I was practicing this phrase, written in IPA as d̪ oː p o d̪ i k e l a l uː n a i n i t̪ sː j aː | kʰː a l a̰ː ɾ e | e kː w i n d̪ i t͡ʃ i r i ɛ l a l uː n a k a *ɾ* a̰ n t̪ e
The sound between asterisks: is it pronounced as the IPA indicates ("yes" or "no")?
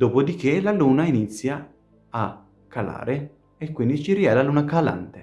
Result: no